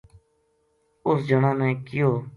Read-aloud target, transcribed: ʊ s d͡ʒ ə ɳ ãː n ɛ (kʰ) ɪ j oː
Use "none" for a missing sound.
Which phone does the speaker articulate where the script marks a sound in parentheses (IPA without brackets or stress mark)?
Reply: k